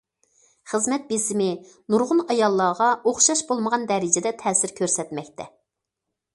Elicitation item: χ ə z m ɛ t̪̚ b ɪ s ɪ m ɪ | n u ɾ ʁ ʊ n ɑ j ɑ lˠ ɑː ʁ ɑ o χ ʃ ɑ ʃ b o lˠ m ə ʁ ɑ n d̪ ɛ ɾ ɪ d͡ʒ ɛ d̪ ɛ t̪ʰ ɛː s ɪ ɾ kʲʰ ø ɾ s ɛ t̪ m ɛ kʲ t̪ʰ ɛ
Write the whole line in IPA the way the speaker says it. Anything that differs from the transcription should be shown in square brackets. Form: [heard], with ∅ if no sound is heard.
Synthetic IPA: χ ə z m ɛ t̪̚ b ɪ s ɪ m ɪ | n u ɾ ʁ ʊ n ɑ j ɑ [lˠː] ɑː ʁ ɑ o χ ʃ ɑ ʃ b o lˠ m ə ʁ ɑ n d̪ ɛ ɾ ɪ d͡ʒ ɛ d̪ ɛ t̪ʰ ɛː s ɪ ɾ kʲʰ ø ɾ s ɛ t̪ m ɛ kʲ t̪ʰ ɛ